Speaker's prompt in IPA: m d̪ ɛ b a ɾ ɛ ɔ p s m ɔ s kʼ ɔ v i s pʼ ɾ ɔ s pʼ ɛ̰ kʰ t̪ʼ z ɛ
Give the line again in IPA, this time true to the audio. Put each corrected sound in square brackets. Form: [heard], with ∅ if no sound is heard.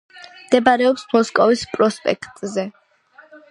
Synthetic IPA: m d̪ ɛ b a ɾ ɛ ɔ p s m ɔ s kʼ ɔ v i s pʼ ɾ ɔ s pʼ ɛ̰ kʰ t̪ʼ z ɛ